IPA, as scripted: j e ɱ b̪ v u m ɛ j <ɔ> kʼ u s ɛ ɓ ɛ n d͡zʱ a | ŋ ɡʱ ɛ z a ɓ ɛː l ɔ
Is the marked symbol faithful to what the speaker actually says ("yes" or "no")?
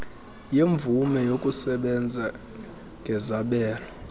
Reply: no